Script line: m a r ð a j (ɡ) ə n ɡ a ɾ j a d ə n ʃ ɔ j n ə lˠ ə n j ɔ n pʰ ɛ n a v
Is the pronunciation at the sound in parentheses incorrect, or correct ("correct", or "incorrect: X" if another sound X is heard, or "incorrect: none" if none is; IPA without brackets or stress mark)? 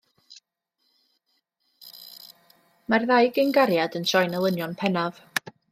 correct